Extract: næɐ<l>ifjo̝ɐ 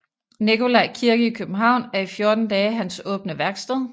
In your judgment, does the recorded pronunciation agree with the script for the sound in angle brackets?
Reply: no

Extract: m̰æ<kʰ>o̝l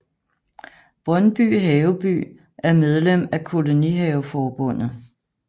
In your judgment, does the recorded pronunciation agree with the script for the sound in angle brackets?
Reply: yes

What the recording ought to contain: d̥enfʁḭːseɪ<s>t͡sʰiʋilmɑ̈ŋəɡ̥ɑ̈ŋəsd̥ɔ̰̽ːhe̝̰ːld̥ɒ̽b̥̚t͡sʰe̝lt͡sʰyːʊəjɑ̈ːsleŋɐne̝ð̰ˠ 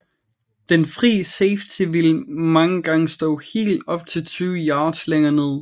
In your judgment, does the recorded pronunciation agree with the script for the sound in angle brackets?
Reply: no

